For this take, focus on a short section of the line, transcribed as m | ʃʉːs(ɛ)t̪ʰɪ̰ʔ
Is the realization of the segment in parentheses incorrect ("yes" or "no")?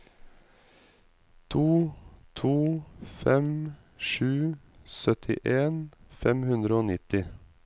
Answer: yes